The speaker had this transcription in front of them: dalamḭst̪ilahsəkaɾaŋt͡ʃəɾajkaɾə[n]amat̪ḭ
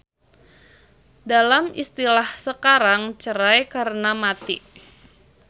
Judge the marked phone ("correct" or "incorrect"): correct